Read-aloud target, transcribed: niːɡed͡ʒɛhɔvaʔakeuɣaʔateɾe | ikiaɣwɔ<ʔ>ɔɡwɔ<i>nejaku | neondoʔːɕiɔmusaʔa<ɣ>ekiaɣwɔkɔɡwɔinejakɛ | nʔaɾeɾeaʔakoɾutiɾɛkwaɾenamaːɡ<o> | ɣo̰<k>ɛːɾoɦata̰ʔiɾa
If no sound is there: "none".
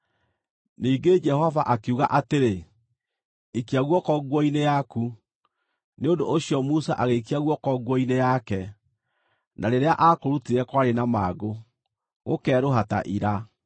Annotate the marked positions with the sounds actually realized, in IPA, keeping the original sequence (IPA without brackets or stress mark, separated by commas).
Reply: k, i, ɣ, o, k